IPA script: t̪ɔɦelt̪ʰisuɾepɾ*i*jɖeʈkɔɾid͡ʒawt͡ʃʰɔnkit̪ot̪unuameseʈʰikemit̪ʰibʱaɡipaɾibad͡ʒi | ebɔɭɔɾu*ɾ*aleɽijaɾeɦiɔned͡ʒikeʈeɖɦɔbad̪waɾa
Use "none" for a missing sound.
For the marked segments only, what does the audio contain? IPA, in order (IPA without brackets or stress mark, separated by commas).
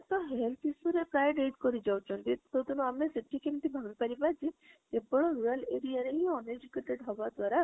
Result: a, ɾ